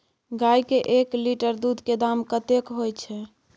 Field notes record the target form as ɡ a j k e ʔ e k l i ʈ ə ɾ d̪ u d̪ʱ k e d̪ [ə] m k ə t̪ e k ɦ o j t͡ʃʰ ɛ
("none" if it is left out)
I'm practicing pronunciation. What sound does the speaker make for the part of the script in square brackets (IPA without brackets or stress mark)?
a